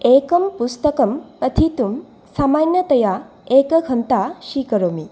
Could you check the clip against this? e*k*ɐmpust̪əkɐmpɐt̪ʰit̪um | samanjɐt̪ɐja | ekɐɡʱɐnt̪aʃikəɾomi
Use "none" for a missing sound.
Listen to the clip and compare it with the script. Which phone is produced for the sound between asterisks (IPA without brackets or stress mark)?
k